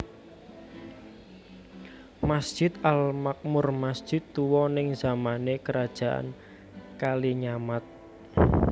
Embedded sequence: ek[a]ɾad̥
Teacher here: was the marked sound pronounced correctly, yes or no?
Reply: no